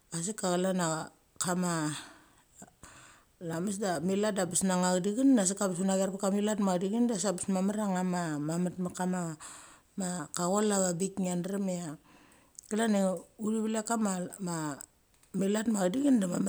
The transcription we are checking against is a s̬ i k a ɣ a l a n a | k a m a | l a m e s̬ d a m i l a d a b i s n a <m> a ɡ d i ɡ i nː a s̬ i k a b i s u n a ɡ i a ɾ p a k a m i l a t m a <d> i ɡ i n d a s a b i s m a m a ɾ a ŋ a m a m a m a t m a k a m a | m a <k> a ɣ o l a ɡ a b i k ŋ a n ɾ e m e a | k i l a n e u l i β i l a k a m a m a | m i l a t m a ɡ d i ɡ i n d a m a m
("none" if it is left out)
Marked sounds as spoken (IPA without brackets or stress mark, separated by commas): ŋ, d, k